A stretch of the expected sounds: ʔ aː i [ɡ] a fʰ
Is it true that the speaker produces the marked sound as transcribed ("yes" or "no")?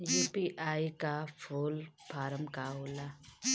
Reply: no